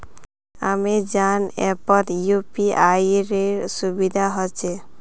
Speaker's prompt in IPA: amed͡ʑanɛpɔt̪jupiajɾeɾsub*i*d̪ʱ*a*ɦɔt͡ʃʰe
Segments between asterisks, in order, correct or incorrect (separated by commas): correct, correct